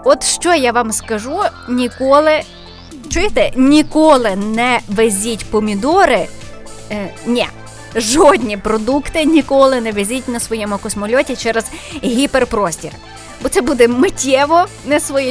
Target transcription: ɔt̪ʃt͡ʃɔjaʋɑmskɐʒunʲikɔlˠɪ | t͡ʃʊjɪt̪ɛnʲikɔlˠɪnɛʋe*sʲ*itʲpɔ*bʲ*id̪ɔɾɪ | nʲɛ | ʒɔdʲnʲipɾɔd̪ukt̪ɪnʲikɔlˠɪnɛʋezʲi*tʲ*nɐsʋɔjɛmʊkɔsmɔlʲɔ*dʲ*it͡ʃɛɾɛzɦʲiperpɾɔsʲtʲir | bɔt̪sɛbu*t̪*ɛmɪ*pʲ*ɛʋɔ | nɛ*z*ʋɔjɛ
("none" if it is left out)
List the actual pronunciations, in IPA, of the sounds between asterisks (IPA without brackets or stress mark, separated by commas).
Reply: zʲ, mʲ, tʲ, tʲ, d̪, tʲ, s